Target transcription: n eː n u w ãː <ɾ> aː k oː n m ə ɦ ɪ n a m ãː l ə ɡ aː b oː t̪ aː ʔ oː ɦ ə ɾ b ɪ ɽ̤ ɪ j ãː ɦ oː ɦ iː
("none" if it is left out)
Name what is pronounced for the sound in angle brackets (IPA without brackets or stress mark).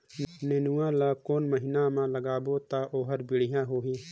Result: l